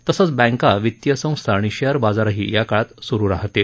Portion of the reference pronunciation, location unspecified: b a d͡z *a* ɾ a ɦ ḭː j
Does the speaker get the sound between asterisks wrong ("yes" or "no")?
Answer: no